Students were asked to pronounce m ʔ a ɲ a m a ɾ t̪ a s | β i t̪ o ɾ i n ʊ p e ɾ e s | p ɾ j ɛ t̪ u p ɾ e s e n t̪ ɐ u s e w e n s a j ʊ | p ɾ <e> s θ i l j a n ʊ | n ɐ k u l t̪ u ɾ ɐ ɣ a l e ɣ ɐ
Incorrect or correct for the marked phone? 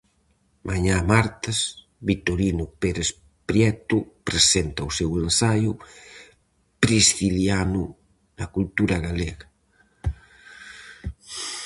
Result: incorrect: i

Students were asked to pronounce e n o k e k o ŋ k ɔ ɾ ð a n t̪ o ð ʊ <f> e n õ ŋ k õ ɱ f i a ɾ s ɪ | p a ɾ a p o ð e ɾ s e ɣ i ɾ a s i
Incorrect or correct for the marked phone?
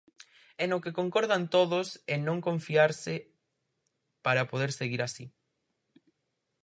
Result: incorrect: s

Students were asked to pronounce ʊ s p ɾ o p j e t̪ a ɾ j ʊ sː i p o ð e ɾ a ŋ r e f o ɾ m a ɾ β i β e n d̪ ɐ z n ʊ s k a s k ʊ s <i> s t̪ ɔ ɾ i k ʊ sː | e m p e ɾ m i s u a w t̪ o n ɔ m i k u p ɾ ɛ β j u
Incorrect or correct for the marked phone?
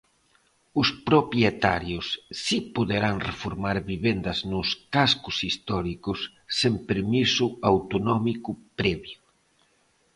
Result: correct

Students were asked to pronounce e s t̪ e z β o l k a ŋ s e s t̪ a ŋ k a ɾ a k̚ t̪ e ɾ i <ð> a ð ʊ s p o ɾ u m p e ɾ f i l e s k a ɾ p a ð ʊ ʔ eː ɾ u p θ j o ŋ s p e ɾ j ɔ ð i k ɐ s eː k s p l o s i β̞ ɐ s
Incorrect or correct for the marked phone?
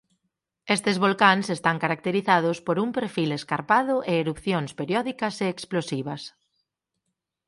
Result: incorrect: θ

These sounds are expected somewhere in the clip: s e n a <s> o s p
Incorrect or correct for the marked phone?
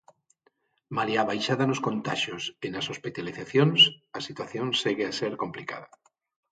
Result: correct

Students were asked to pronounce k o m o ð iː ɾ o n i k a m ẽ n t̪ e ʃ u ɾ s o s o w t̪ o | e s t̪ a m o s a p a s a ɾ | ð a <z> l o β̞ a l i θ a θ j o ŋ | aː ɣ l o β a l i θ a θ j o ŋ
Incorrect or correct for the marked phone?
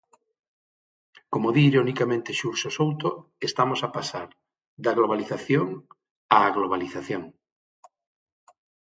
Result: incorrect: ɣ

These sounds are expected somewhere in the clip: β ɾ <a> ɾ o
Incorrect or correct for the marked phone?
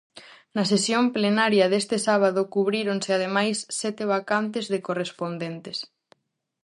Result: incorrect: i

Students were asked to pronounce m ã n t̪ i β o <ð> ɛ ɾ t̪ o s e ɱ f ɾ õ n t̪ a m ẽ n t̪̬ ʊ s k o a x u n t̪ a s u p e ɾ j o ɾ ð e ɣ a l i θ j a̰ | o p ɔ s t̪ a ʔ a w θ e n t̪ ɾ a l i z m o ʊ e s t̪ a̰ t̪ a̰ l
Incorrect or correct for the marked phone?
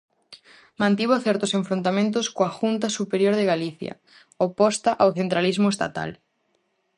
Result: incorrect: θ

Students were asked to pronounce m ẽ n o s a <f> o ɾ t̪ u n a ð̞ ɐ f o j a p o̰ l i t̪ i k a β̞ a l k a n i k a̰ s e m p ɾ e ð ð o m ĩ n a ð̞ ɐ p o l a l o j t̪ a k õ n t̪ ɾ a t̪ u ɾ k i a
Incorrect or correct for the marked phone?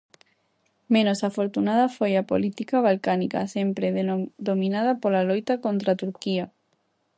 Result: correct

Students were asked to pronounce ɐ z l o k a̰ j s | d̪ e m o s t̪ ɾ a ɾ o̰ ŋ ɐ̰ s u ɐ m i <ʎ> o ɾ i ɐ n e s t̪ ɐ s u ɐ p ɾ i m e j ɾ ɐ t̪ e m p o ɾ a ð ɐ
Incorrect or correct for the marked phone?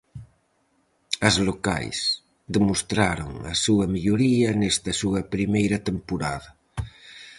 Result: correct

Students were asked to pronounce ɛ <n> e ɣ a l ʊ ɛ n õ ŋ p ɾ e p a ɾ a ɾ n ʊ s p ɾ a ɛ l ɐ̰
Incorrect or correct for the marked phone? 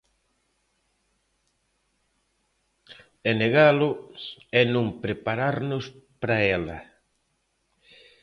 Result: correct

